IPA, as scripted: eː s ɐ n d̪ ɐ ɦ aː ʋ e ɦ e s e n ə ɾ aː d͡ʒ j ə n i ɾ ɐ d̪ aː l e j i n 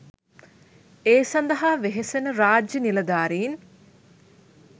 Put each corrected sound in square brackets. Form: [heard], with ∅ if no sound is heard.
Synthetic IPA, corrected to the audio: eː s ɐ n d̪ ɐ ɦ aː ʋ e ɦ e s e n ə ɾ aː d͡ʒ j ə n i [l] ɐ d̪ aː [ɾ] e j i n